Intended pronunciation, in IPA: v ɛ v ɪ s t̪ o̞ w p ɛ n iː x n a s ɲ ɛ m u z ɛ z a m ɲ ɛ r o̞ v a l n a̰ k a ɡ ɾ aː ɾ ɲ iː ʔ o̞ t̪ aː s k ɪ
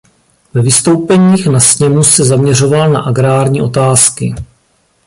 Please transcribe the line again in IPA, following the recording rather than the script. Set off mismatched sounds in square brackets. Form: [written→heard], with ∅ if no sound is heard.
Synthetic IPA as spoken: v ɛ v ɪ s t̪ o̞ w p ɛ [n→ɲ] iː x n a s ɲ ɛ m u [z→s] ɛ z a m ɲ ɛ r o̞ v a l n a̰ [k→ʔ] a ɡ ɾ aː ɾ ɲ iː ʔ o̞ t̪ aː s k ɪ

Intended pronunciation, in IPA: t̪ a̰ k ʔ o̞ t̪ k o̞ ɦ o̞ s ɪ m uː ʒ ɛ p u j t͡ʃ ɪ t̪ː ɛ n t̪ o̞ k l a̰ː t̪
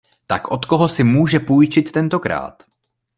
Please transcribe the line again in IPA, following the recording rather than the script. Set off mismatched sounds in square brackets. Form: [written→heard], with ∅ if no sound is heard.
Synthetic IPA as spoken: t̪ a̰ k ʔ o̞ t̪ k o̞ ɦ o̞ s ɪ m uː ʒ ɛ p u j t͡ʃ ɪ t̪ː ɛ n t̪ o̞ k [l→ɾ] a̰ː t̪

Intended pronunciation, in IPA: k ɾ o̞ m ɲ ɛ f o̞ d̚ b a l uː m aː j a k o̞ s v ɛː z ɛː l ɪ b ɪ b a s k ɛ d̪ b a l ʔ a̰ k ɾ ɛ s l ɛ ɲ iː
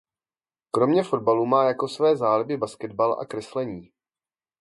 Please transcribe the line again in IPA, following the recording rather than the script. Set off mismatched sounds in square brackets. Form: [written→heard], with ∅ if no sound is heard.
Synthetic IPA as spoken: k ɾ o̞ m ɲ ɛ f o̞ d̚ b a l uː m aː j a k o̞ s v ɛː z [ɛː→aː] l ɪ b ɪ b a s k ɛ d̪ b a l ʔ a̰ k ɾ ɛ s l ɛ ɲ iː

